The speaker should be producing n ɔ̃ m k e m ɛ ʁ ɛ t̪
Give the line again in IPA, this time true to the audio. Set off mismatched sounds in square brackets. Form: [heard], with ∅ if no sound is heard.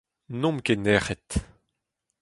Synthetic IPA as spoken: n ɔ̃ m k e [n] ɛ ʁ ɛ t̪